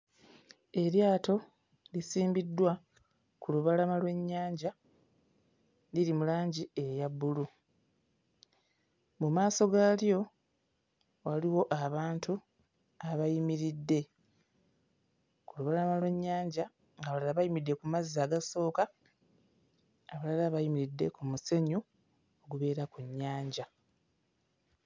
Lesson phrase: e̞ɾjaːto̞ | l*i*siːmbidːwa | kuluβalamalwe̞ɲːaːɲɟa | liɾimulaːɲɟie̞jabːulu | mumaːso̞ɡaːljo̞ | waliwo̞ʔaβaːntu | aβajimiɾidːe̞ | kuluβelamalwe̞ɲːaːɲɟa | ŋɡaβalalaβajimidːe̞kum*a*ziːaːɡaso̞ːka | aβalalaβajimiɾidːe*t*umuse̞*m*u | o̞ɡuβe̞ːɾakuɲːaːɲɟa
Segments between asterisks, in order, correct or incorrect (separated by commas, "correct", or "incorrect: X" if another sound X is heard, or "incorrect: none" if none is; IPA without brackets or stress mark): correct, correct, incorrect: k, incorrect: ɲ